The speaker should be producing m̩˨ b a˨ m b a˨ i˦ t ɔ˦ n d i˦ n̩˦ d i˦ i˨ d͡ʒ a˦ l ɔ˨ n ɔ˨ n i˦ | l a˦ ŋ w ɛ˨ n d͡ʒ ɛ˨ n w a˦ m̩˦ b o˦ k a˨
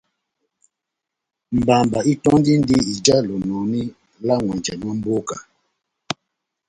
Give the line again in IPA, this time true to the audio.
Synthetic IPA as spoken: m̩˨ b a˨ m b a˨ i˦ t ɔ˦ n d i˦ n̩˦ d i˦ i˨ d͡ʒ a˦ l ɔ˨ n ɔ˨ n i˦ | l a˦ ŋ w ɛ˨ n d͡ʒ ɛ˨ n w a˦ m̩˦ b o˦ k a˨